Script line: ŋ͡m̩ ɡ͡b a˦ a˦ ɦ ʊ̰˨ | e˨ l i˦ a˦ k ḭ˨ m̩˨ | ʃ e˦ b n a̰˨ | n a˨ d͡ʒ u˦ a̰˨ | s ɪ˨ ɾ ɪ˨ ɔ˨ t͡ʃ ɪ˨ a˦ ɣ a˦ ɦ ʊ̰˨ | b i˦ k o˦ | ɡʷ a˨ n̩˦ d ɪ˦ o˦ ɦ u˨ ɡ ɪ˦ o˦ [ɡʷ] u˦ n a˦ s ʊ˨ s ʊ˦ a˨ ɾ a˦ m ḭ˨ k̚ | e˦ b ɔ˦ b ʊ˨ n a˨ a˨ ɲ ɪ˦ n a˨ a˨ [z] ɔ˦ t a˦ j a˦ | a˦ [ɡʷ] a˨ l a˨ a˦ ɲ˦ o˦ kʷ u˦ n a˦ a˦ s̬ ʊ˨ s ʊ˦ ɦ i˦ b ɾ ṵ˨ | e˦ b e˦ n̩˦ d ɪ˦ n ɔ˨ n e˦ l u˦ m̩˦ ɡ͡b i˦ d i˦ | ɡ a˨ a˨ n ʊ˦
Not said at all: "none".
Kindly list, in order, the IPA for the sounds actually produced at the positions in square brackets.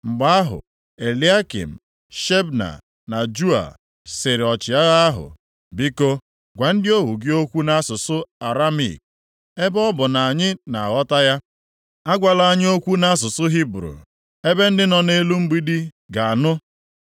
kʷ, ɣ, ɡʷ

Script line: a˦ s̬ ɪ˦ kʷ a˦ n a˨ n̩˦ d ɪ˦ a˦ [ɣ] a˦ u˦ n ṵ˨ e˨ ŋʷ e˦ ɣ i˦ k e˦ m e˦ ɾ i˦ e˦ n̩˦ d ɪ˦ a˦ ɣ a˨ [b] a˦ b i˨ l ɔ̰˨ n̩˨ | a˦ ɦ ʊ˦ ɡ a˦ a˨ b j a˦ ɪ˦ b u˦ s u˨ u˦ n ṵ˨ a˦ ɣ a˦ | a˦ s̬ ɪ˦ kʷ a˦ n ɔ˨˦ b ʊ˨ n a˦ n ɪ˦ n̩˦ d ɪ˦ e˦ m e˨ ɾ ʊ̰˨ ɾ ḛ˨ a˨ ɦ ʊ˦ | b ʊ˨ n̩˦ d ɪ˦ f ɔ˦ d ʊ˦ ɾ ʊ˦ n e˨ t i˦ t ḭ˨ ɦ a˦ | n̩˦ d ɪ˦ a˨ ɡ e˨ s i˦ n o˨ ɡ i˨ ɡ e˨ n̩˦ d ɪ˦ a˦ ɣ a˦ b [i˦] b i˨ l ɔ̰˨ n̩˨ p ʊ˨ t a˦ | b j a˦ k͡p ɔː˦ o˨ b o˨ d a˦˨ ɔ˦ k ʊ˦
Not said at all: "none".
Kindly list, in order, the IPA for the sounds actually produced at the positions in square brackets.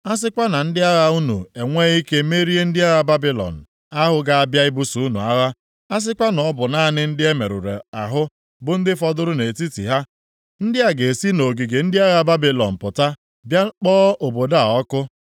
ɣ, b, a˦

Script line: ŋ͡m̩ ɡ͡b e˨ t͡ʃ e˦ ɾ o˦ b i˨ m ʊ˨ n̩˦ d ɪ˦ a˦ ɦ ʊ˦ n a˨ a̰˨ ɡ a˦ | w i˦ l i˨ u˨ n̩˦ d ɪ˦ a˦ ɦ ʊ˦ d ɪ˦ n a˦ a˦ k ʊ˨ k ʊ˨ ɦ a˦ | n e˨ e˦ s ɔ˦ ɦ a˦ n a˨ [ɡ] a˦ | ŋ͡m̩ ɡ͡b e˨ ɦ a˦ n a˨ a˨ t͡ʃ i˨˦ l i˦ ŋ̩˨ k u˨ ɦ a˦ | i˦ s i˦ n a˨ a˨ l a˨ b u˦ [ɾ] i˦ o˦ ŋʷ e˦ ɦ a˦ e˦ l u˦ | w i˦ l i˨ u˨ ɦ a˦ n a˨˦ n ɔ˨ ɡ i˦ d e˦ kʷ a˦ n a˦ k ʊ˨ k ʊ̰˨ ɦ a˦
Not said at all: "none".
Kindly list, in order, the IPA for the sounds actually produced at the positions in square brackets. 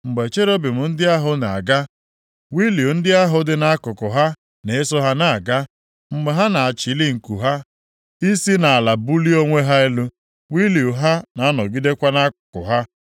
ɡ, l

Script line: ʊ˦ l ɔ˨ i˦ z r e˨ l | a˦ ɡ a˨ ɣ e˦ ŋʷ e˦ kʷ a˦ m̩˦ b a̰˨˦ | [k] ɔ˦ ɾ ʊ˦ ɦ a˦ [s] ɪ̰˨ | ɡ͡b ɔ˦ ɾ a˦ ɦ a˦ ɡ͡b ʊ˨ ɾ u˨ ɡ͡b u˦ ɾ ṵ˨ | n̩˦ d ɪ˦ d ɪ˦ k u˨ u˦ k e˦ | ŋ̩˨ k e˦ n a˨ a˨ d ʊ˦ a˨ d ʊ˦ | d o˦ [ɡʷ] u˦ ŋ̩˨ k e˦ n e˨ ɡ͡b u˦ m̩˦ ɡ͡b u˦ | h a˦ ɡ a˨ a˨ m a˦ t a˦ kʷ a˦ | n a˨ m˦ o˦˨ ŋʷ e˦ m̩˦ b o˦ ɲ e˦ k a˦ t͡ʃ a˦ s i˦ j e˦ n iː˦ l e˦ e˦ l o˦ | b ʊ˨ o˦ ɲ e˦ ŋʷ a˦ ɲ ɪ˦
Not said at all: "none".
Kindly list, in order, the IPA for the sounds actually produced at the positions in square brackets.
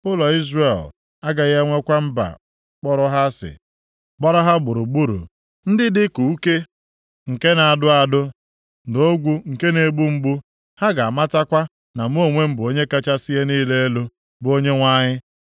k͡p, s, ɡʷ

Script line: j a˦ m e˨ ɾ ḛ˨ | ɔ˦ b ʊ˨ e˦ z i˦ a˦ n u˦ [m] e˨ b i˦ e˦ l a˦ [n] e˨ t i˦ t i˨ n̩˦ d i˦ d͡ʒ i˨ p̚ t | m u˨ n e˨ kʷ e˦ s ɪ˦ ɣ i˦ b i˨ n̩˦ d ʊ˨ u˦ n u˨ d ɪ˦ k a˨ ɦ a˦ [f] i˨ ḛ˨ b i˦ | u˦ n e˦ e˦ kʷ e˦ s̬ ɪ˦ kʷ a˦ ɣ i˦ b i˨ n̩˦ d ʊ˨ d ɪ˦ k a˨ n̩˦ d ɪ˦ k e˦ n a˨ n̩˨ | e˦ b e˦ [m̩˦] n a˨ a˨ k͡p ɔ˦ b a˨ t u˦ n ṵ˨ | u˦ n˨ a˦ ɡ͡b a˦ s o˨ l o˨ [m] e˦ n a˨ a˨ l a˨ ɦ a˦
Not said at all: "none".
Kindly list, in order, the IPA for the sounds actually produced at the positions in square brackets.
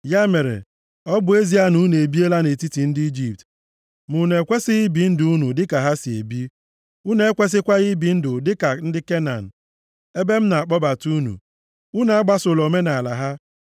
n, n, s, m̩˦, m

